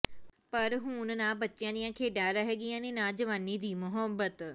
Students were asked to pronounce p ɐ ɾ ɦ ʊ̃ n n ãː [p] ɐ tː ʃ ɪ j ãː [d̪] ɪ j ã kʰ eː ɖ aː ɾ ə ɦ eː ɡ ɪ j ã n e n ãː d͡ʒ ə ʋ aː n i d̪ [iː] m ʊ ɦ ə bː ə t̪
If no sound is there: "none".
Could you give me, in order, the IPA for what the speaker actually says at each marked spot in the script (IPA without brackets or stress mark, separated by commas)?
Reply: b, d̪, iː